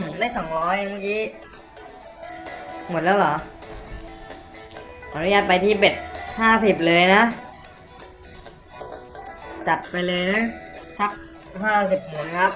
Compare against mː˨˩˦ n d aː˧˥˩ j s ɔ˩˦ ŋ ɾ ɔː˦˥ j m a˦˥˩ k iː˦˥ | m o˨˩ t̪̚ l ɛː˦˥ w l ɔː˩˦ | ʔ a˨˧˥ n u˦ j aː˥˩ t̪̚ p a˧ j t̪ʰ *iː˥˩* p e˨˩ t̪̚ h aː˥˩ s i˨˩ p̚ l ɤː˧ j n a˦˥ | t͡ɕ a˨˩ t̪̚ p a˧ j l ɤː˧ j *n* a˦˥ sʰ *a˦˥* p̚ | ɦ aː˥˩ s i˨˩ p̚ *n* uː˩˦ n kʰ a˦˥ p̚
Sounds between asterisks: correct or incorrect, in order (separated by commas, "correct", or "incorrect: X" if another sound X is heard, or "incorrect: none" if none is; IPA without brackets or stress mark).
correct, correct, correct, incorrect: m